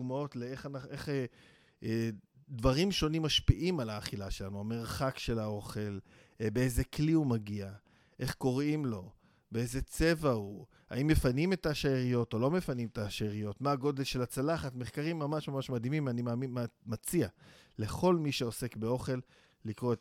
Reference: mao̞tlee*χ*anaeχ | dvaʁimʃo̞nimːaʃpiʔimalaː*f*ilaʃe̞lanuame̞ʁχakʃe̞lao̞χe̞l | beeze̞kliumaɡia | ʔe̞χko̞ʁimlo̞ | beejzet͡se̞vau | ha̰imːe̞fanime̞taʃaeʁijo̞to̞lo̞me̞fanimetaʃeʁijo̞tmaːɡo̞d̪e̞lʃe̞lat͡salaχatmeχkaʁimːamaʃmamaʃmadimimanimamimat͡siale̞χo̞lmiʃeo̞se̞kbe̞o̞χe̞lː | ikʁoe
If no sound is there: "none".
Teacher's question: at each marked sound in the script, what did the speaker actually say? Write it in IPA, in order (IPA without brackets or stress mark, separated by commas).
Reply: χ, χ